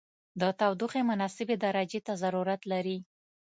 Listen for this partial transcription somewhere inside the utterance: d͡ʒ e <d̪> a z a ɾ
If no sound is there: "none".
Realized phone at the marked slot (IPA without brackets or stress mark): t̪